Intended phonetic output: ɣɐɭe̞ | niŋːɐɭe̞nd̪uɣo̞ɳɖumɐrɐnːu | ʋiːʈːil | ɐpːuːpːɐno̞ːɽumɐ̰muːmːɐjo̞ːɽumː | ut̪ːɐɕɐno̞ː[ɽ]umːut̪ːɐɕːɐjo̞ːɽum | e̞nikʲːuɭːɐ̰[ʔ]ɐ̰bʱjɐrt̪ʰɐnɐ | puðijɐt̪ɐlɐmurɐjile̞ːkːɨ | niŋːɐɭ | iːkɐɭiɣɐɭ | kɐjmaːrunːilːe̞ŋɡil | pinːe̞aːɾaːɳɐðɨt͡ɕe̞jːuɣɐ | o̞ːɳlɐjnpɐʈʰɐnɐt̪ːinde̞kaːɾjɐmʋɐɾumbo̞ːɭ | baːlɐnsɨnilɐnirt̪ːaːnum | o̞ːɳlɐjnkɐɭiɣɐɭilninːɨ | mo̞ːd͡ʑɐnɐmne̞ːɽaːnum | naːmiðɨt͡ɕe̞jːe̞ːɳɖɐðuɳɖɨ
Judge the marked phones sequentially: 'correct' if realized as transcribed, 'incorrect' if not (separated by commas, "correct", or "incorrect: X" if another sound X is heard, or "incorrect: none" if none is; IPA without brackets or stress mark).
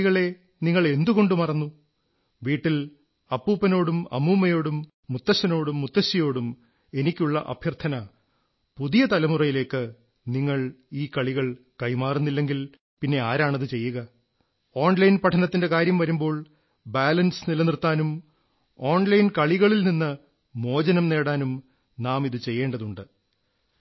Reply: correct, correct